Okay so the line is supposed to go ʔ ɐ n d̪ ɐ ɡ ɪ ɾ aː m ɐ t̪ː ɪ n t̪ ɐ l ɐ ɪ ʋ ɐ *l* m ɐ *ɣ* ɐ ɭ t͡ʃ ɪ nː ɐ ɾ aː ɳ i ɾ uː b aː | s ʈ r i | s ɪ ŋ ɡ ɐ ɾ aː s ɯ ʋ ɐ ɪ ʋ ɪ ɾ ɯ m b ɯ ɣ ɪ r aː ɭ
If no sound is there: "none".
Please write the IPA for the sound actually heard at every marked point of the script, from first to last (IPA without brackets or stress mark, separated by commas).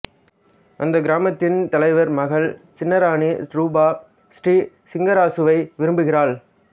ɾ, ɣ